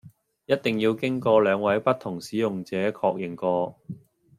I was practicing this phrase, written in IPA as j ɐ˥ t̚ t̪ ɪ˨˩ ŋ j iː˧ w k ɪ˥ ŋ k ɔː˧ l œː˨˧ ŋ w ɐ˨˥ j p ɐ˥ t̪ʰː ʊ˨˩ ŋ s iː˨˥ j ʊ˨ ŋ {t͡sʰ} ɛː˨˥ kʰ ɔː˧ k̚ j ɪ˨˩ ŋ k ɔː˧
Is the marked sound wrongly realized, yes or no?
yes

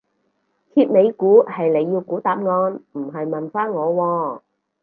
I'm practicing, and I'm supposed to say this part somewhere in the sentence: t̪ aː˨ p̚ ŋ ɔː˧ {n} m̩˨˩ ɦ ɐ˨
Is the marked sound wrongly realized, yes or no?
no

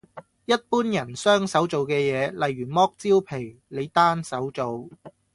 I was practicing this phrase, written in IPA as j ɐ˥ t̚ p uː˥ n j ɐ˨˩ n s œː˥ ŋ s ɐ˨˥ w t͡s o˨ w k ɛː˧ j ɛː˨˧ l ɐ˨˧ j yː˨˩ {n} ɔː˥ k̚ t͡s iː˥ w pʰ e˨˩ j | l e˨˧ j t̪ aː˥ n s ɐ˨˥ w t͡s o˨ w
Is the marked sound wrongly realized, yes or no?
yes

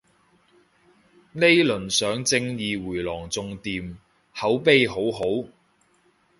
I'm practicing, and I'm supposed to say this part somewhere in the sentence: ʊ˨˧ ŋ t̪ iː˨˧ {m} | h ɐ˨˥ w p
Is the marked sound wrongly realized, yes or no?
no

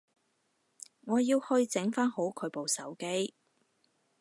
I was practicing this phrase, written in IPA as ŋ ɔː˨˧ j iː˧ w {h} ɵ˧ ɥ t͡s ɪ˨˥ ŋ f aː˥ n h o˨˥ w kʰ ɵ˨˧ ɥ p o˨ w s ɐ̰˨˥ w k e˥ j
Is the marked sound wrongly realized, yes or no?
no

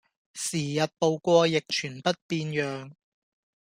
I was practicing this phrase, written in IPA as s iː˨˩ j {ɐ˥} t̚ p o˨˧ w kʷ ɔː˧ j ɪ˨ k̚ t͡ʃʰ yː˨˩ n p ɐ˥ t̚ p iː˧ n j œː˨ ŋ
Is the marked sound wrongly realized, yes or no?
yes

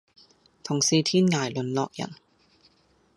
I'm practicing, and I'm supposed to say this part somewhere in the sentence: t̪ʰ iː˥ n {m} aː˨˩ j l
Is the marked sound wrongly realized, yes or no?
yes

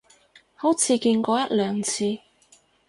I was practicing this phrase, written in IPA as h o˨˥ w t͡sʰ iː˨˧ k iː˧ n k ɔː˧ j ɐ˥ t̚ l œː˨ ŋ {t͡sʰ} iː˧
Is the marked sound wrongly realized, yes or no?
no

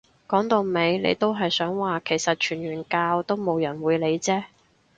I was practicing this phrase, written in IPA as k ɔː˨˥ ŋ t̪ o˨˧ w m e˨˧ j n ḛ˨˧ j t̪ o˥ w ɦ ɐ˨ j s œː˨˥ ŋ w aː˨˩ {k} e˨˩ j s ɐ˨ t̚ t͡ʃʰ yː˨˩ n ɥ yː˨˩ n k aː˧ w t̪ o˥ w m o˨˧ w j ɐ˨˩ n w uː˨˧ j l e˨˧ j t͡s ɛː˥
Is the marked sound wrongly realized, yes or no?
yes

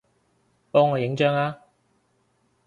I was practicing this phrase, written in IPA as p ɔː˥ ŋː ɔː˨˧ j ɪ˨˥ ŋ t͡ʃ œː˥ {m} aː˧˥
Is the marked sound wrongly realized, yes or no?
yes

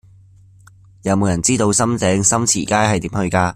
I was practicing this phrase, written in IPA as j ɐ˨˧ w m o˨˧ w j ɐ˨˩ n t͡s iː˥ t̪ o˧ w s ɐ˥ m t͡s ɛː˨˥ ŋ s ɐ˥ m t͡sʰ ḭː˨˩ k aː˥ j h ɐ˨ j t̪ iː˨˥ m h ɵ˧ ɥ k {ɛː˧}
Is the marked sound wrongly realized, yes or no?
yes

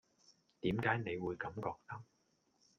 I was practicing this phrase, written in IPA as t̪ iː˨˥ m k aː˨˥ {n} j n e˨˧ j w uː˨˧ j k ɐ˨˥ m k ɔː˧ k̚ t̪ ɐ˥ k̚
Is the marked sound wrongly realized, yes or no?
yes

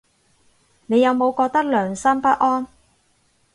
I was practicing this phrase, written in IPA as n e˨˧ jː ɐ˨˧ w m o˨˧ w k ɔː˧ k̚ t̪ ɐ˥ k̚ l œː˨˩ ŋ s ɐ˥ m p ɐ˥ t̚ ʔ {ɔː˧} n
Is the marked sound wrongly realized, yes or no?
yes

